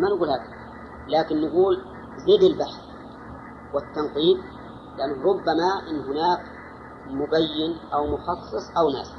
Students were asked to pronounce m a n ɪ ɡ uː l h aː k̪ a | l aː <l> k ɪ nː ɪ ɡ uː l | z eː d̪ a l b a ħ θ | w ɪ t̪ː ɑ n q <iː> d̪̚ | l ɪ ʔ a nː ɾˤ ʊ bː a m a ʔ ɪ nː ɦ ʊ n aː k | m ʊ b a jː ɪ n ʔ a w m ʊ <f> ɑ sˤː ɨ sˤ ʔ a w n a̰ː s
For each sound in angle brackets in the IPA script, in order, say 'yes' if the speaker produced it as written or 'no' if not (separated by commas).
no, yes, no